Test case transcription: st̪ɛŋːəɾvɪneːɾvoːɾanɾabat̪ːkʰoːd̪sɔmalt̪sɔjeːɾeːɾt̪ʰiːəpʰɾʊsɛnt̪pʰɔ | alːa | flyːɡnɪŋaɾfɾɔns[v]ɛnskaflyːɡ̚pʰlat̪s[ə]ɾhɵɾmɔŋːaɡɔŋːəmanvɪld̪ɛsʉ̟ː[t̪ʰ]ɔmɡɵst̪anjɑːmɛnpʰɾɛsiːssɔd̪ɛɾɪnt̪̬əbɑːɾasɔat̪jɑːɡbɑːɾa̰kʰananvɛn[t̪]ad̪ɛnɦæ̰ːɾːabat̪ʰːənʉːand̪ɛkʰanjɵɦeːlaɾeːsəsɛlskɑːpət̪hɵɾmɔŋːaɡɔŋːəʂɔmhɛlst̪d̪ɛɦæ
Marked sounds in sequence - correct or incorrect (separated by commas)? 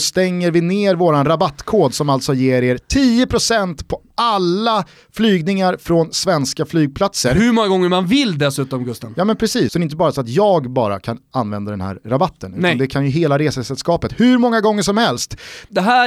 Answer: correct, correct, incorrect, incorrect